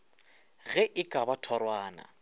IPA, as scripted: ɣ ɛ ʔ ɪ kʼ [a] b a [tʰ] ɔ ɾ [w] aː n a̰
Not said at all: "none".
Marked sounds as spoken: a, tʰ, w

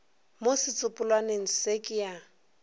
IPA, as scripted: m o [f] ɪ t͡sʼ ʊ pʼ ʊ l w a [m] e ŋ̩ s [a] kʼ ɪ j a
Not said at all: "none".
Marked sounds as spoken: s, n, e

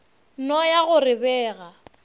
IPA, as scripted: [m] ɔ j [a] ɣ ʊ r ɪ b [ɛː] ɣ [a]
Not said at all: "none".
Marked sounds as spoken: n, a, ɛː, a

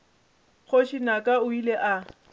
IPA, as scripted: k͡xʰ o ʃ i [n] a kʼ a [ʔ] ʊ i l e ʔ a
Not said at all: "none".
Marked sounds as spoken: n, none

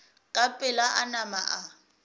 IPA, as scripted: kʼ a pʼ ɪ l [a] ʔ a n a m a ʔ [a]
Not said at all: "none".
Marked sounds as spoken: a, a

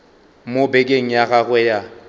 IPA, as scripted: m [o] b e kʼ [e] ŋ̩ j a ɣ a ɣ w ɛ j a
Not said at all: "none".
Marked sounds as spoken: o, e

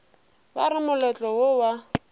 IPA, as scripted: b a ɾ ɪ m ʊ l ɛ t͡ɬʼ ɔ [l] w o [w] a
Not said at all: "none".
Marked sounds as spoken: none, w

